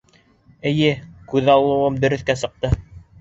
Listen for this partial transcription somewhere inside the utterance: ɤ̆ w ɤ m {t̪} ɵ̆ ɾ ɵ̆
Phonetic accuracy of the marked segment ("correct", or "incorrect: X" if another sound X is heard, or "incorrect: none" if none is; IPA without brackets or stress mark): incorrect: d̪